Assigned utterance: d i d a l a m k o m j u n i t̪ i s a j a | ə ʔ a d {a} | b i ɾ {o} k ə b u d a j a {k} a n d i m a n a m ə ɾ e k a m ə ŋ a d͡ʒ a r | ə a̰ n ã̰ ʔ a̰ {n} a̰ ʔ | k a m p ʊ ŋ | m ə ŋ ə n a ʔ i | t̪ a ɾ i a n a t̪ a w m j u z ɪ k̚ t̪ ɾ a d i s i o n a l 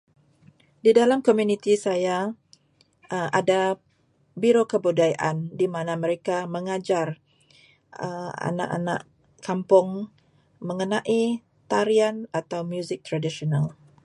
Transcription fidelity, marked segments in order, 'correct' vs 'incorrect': correct, correct, incorrect: ʔ, correct

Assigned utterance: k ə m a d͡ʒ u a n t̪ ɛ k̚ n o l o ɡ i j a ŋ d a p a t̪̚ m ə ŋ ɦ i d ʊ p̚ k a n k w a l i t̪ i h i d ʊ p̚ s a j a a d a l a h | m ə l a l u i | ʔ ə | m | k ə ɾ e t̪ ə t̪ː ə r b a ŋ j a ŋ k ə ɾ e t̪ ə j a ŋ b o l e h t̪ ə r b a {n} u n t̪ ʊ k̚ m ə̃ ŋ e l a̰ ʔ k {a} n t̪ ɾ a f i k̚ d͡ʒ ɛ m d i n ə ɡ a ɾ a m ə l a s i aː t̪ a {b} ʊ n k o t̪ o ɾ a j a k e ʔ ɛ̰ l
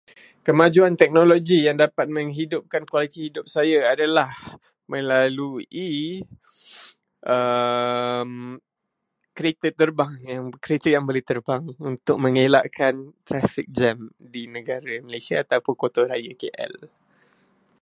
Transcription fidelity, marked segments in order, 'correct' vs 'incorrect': incorrect: ŋ, correct, incorrect: p

